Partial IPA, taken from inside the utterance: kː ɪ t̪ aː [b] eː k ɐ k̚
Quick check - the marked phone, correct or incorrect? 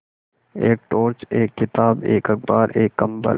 correct